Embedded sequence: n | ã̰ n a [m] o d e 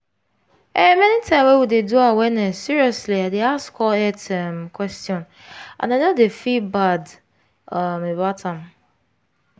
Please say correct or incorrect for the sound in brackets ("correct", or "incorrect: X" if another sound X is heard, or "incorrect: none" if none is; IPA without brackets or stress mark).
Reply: incorrect: n